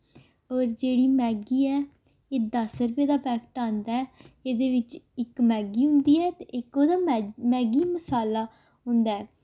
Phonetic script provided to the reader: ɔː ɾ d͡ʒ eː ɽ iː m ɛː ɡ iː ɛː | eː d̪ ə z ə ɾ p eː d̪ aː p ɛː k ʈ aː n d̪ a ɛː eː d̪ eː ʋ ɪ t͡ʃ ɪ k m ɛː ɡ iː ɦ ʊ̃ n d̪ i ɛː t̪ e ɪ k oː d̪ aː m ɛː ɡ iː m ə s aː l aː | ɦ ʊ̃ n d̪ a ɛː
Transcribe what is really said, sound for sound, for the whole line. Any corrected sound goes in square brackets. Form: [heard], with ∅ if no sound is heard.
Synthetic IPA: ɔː ɾ d͡ʒ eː ɽ iː m ɛː ɡ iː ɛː | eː d̪ ə [s] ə ɾ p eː d̪ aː p ɛː k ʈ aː n d̪ a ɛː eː d̪ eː ʋ ɪ t͡ʃ ɪ k m ɛː ɡ iː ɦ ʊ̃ n d̪ [iː] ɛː t̪ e ɪ k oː d̪ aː m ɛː ɡ iː m ə s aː l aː | ɦ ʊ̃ n d̪ a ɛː